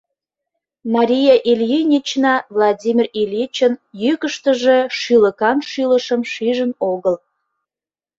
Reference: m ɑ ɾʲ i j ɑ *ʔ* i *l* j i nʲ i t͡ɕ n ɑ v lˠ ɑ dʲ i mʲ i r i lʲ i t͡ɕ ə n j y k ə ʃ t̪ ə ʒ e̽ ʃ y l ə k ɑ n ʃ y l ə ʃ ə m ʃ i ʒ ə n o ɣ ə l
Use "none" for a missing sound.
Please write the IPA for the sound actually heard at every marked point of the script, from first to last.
ʔ, l

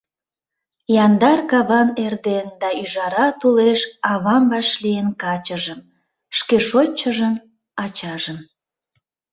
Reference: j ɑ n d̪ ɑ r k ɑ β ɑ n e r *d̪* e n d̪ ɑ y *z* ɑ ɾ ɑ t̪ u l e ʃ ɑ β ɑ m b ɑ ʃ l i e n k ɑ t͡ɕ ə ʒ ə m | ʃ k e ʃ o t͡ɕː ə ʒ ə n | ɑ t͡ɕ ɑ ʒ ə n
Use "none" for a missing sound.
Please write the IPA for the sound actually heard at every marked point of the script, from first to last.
d̪, ʒ

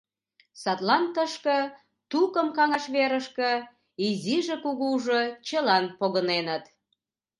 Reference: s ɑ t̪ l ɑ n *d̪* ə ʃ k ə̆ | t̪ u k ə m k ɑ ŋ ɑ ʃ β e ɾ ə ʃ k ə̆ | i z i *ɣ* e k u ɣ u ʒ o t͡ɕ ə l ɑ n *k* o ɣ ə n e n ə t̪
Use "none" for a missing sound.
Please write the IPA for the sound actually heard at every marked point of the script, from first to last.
t̪, ʒ, p

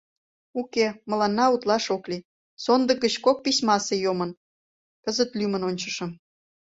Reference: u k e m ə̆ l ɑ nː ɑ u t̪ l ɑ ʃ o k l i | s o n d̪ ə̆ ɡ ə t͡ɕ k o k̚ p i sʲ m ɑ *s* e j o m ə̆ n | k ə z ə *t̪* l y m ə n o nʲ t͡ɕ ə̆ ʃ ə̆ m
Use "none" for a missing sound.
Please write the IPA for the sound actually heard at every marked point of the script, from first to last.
s, t̪

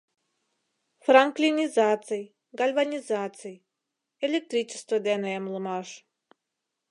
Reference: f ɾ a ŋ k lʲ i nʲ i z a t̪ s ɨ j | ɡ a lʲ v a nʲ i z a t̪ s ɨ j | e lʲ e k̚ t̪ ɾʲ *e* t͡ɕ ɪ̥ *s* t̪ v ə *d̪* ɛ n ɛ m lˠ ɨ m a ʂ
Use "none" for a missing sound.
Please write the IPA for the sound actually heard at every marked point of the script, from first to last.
i, s, d̪

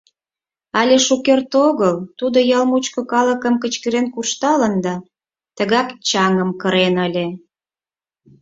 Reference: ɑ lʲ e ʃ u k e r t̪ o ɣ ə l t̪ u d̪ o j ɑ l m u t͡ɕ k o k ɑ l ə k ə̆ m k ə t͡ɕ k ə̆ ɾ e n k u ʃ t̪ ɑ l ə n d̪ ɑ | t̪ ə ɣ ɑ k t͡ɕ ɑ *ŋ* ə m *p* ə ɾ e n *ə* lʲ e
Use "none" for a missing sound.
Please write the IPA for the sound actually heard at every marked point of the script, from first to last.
ŋ, k, ə

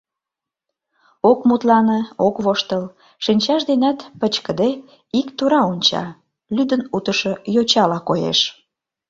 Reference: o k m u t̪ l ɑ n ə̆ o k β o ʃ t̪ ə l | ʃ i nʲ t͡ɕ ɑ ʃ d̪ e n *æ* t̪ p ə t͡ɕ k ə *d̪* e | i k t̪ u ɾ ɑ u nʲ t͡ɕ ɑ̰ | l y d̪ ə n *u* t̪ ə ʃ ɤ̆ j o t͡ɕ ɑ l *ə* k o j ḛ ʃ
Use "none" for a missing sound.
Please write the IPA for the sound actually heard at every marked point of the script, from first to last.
æ, d̪, u, ɑ

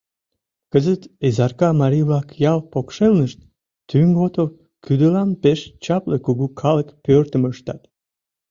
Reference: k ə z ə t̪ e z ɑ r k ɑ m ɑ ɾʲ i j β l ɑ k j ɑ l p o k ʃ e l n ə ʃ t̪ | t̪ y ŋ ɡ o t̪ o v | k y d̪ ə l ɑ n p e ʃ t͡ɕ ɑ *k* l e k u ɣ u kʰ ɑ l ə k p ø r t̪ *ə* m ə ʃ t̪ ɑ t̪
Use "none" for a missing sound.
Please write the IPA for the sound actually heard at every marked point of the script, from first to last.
p, ə

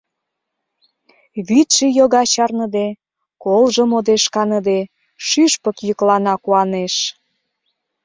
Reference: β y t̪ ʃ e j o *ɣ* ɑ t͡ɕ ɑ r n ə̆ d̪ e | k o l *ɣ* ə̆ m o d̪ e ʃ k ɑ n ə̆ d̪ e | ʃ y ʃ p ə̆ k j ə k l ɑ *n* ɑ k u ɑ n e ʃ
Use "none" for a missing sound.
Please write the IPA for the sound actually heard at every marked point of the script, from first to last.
ɣ, ʒ, n

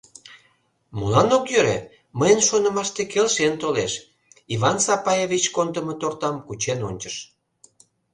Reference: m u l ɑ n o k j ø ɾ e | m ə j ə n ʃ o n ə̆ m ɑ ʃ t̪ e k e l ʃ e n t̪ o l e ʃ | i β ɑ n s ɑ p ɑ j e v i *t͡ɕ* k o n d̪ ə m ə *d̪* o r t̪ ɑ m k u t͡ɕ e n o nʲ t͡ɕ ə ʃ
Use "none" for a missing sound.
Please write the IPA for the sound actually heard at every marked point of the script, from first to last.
t͡ɕ, t̪

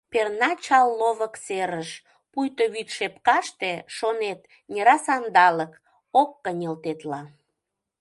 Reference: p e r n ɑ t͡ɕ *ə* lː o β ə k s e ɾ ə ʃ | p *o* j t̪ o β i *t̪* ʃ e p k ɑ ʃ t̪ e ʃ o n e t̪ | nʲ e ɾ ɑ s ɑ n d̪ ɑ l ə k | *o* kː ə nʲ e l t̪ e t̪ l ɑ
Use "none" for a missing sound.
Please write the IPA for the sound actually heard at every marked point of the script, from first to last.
ɑ, u, t̪, o

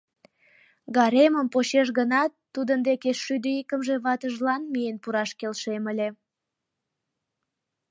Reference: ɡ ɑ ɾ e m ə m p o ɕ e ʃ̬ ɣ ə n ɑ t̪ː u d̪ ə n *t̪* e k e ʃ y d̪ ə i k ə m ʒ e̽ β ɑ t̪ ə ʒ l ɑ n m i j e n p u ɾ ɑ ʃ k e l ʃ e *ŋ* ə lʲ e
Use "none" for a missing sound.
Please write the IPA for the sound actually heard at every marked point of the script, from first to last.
d̪, m

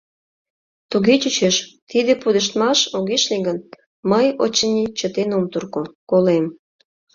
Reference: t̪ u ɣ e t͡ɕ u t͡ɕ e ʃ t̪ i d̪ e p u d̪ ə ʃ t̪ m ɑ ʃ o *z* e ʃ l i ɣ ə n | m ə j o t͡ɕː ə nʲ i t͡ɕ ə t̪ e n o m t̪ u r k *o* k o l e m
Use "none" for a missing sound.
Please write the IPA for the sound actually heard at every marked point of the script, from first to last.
ɣ, o

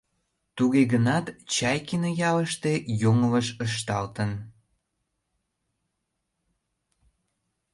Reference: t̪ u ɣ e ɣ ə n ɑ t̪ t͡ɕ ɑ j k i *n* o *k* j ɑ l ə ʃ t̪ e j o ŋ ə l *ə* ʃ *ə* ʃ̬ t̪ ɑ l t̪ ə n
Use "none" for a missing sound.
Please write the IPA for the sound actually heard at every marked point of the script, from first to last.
n, none, ə, ə

